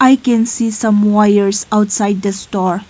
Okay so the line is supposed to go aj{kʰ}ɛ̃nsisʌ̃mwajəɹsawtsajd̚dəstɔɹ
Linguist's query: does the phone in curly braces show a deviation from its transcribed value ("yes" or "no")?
yes